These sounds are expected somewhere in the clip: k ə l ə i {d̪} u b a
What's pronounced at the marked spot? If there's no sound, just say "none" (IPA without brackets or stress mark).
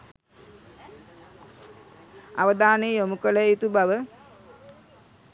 t̪